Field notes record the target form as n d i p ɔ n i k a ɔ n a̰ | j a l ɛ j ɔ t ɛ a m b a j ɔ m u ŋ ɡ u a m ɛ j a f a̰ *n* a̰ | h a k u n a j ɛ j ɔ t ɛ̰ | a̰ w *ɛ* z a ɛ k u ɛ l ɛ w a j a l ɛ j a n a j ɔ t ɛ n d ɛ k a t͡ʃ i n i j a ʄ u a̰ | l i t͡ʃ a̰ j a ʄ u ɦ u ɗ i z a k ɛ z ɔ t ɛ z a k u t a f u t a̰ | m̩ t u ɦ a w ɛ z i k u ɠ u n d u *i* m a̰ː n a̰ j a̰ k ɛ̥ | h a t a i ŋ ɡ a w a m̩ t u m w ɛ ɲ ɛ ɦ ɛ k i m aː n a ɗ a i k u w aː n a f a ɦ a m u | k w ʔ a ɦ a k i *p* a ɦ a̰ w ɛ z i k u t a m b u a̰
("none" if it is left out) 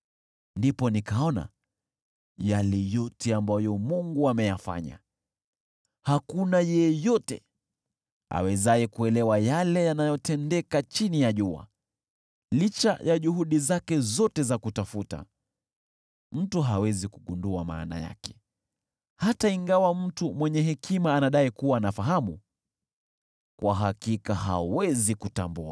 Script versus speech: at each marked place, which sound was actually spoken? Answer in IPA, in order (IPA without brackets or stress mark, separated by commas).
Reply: ɲ, ɛ, a, k